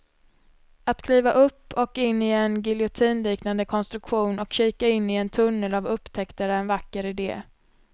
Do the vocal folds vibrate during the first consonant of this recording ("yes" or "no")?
no